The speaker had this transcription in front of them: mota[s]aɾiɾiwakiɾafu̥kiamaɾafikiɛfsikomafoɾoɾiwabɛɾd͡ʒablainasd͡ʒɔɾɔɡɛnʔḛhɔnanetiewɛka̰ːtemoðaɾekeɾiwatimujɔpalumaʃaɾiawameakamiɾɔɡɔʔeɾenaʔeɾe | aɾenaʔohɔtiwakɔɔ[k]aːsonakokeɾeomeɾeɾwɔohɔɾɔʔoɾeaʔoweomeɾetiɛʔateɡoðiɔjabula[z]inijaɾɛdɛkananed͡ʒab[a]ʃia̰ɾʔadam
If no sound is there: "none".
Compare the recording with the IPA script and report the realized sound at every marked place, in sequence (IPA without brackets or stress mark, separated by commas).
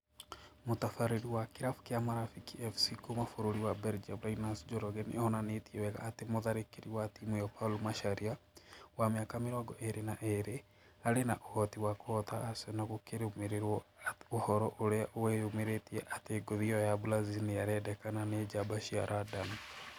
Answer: f, t, z, a